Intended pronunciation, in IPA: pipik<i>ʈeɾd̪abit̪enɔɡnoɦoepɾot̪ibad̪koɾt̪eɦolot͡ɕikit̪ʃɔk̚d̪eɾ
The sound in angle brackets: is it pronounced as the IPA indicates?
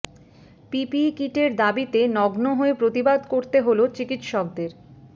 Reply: yes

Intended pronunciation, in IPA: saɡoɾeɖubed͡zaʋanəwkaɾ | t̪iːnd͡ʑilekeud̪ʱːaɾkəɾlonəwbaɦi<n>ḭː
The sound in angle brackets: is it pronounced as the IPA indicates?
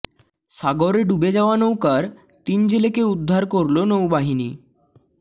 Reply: yes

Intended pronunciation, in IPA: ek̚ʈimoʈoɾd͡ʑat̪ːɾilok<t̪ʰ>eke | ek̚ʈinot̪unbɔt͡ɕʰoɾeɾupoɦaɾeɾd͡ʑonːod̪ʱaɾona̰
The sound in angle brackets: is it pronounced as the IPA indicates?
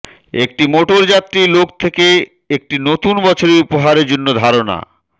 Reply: yes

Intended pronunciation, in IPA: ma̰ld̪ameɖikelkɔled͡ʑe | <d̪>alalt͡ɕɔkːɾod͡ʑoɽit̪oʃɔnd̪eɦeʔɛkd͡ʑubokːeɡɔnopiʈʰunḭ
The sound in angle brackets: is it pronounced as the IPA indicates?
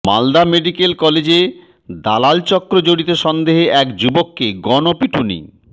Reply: yes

